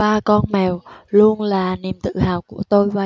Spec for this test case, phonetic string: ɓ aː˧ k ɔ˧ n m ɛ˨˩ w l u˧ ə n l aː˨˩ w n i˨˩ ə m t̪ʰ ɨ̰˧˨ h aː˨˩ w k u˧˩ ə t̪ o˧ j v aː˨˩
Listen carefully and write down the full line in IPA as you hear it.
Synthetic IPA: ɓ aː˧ k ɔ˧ n m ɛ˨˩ w l u˧ ə n l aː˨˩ n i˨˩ ə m t̪ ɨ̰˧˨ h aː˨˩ w k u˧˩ ə t̪ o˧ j v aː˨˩